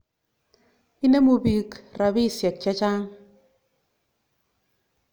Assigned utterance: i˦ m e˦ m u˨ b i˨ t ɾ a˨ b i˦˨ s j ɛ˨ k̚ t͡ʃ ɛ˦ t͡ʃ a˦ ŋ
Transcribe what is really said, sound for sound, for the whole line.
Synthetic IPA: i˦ n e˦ m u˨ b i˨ k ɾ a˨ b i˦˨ s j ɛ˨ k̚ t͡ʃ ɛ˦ t͡ʃ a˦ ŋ